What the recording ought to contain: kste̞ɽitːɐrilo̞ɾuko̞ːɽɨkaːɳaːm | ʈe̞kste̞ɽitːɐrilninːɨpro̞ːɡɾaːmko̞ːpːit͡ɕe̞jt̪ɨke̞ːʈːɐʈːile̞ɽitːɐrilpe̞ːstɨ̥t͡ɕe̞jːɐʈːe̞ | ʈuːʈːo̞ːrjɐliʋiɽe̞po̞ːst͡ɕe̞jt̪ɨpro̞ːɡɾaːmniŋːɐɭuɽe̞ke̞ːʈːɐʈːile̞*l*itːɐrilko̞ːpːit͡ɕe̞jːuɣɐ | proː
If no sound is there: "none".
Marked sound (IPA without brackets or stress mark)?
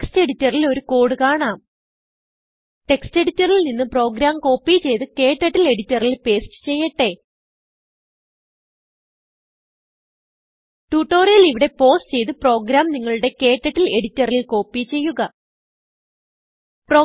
ɽ